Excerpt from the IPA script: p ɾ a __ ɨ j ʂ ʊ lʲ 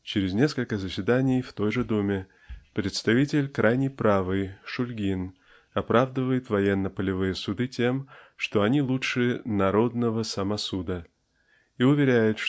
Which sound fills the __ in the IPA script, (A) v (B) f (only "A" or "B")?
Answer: A